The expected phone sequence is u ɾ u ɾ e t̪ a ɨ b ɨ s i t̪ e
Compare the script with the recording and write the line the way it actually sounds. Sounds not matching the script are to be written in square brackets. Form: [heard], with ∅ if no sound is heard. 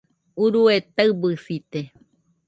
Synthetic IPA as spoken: u ɾ u [∅] e t̪ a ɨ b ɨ s i t̪ e